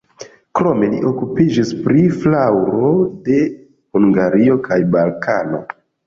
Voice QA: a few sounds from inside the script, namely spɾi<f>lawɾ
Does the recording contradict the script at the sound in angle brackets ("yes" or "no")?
no